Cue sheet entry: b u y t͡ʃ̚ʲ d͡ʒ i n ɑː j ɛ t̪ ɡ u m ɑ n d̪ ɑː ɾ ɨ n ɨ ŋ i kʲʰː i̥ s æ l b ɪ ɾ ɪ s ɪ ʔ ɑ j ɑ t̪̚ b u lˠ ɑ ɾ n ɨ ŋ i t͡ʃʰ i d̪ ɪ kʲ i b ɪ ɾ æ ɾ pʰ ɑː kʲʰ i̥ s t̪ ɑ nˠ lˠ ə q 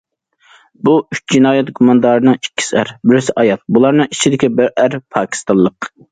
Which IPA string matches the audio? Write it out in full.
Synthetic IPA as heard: b u y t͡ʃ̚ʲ d͡ʒ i n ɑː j ɛ t̪ ɡ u m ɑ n d̪ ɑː ɾ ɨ n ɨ ŋ i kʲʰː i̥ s æ ɾ b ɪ ɾ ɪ s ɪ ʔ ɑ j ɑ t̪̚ b u lˠ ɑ ɾ n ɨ ŋ i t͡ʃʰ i d̪ ɪ kʲ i b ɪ ɾ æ ɾ pʰ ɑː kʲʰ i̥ s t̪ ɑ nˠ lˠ ə q